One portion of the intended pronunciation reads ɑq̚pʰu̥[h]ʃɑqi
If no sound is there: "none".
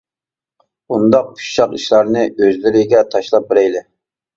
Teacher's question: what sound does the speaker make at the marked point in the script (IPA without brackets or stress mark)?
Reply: ʃ